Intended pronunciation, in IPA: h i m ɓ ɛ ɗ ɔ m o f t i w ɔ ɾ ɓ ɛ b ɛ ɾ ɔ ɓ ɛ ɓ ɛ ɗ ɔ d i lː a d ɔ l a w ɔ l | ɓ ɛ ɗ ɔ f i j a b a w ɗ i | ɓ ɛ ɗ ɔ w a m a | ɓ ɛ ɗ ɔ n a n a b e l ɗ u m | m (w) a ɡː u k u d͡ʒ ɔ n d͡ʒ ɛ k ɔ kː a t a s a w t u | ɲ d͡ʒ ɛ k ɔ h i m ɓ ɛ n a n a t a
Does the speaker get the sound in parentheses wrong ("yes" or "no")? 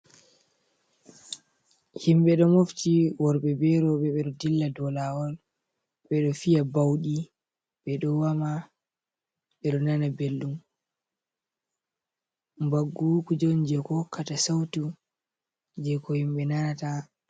yes